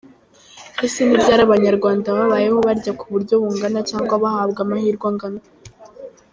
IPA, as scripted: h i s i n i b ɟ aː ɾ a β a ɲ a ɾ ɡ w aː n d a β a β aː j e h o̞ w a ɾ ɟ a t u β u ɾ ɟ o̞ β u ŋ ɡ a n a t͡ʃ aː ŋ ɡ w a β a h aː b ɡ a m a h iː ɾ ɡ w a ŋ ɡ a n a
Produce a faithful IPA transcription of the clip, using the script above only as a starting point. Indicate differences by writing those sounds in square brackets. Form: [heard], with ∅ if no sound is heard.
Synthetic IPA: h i s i n i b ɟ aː ɾ a β a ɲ a ɾ ɡ w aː n d a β a β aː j e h o̞ [β] a ɾ ɟ a [k] u β u ɾ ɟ o̞ β u ŋ ɡ a n a t͡ʃ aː ŋ ɡ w a β a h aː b ɡ a m a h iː ɾ ɡ w a ŋ ɡ a n a